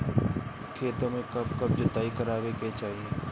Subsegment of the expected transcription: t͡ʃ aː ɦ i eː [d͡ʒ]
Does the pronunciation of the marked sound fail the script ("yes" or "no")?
yes